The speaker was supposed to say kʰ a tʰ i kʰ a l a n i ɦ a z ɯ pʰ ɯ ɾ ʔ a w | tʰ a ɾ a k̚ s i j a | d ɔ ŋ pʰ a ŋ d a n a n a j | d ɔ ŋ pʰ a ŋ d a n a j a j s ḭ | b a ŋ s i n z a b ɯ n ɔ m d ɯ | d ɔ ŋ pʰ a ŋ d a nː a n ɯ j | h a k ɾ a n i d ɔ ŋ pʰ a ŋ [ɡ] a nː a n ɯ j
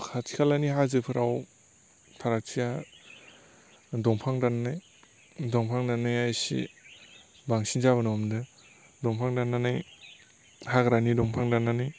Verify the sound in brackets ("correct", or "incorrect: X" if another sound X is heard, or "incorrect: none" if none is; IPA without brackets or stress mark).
incorrect: d